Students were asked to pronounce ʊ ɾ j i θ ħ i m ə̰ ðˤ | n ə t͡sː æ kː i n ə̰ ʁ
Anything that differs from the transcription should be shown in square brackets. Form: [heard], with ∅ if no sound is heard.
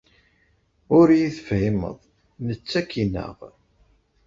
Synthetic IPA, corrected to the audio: ʊ ɾ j i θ [f] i m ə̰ ðˤ | n ə t͡sː æ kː i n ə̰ ʁ